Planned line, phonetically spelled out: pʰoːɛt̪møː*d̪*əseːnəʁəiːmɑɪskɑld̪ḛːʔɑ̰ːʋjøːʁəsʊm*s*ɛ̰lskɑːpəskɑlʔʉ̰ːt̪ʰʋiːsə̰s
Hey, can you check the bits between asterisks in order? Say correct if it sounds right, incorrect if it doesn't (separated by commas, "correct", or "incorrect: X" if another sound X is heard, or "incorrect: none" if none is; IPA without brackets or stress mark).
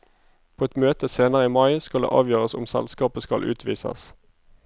incorrect: t̪, correct